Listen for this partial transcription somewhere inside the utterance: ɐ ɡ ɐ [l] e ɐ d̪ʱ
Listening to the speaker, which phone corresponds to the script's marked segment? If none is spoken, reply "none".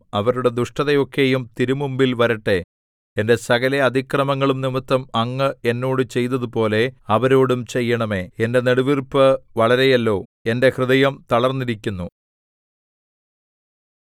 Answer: l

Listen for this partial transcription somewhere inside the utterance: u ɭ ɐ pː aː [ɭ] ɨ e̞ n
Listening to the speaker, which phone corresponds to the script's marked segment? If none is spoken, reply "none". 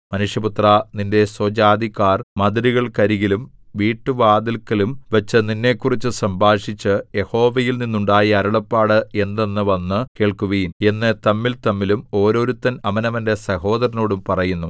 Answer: ɽ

